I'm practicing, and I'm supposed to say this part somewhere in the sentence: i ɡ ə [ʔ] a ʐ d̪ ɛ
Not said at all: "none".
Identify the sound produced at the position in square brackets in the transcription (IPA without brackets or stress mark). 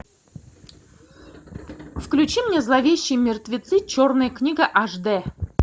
ʔ